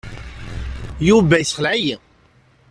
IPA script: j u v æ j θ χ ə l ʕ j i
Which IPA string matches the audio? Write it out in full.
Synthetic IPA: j u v æ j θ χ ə l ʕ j i